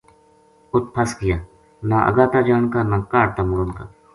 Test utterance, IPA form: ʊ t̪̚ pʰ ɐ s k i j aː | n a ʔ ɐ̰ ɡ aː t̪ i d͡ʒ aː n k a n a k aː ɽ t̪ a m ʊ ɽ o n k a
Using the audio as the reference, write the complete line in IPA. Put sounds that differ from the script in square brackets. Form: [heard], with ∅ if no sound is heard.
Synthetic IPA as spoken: ʊ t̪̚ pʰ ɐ s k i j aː | n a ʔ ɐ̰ ɡ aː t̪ [a] d͡ʒ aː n k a n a k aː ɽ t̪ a m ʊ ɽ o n k a

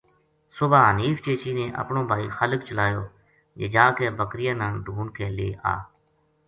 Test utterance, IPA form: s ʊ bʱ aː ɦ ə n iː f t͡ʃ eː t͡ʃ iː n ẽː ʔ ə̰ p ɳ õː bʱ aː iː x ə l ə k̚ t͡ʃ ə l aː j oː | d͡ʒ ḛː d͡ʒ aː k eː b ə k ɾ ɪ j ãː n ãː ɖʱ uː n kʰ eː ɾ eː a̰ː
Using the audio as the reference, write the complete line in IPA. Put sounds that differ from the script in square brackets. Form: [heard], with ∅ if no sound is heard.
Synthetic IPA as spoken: s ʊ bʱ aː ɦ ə n iː f t͡ʃ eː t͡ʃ iː n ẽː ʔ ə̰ p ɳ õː bʱ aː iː x ə l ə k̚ t͡ʃ ə l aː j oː | d͡ʒ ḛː d͡ʒ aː k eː b ə k ɾ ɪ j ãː n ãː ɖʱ uː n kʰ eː [l] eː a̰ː

